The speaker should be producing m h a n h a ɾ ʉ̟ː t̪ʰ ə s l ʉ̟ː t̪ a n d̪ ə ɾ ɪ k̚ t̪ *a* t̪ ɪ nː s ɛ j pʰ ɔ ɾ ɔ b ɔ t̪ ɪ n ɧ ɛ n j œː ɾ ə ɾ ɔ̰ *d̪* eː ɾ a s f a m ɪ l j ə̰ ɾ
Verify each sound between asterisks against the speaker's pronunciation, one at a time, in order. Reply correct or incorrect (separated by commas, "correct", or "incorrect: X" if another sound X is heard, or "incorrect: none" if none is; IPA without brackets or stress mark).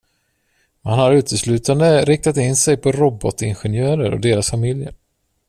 correct, correct